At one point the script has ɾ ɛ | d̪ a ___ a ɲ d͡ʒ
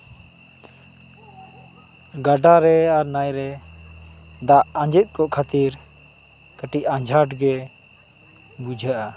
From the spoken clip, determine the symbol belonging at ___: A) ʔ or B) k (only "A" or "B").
A